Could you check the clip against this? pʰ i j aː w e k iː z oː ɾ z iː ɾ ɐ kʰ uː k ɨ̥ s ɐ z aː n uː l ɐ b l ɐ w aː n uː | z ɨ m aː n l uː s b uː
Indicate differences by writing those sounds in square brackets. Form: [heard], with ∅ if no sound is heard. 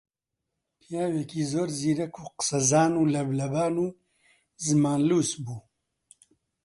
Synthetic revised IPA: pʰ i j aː w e k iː z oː ɾ z iː ɾ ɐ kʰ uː [q] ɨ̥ s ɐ z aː n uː l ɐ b l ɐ [b] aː n uː | z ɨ m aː n l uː s b uː